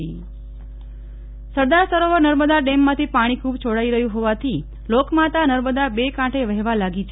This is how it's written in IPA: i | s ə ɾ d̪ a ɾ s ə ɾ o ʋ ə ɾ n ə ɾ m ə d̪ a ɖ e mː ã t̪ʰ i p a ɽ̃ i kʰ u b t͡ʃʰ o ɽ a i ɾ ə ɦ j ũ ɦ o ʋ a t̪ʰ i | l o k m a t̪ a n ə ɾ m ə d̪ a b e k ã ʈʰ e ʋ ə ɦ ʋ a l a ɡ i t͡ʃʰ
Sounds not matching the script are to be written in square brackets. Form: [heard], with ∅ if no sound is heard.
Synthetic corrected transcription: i | s ə ɾ d̪ a ɾ s ə ɾ o ʋ ə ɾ n ə ɾ m ə d̪ a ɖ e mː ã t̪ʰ i p a ɽ̃ i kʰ u b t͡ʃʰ o ɽ a i ɾ ə ɦ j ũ ɦ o ʋ a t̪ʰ i | l o k m a t̪ a n ə ɾ m ə d̪ a b e k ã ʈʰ e ʋ ə ɦ ʋ a l a ɡ i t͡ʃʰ